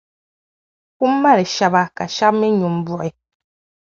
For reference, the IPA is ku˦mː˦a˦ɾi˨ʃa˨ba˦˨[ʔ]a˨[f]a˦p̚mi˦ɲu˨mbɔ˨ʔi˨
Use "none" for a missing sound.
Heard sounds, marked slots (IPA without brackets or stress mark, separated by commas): k, ʃ